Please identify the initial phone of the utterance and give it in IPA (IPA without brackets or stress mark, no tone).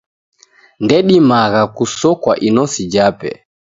n